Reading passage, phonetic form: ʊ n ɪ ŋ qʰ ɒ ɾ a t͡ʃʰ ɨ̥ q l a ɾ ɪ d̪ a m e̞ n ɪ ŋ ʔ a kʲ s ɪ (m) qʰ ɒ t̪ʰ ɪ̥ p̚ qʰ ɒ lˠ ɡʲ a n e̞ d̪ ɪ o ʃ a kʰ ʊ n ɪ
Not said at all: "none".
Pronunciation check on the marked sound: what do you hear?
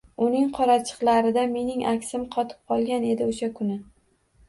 m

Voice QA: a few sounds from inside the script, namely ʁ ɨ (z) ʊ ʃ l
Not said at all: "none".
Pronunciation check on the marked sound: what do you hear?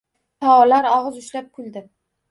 z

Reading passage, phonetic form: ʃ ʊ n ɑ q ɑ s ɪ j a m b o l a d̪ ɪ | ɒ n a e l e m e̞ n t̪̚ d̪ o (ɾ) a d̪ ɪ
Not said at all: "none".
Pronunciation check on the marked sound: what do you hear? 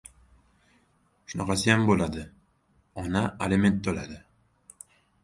l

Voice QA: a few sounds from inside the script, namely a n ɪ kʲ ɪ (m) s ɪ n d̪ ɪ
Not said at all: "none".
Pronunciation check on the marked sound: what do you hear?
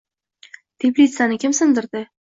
m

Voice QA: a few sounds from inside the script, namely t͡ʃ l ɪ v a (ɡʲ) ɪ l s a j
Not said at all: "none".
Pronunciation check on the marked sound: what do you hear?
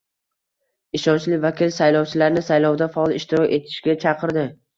kʲ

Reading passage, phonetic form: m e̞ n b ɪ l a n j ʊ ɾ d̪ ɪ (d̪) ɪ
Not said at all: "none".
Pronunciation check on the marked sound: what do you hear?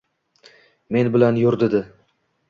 d̪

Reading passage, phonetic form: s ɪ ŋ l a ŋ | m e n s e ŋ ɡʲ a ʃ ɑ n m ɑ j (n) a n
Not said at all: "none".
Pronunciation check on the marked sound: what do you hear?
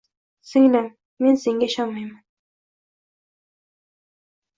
m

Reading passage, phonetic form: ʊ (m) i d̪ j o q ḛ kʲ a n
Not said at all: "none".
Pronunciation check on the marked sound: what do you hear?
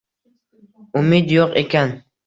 m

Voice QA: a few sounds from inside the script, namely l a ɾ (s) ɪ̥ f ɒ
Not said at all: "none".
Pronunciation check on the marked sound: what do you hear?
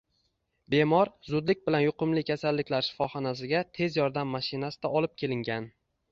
ʃ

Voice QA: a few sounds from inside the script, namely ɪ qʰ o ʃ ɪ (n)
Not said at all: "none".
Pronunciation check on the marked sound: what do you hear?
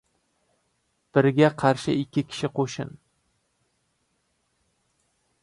n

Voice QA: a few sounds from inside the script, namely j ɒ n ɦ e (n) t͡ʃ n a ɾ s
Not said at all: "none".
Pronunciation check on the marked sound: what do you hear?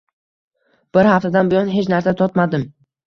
none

